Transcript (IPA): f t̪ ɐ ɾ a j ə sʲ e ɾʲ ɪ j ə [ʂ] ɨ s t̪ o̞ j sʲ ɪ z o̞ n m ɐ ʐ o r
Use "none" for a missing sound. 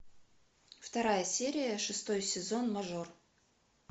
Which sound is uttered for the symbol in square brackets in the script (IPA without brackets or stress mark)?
ʂ